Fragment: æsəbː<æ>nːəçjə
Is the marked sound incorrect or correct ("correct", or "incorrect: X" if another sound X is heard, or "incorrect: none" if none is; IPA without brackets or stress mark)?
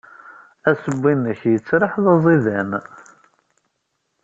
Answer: incorrect: i